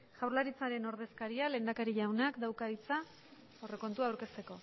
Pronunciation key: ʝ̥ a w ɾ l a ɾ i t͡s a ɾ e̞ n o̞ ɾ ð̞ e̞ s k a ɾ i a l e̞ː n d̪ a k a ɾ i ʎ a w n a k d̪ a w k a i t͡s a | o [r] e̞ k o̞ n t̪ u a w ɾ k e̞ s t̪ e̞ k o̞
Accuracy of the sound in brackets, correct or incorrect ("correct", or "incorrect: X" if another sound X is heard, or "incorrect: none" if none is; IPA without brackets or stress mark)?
correct